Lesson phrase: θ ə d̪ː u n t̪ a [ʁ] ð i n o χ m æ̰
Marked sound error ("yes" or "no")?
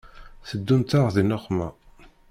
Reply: no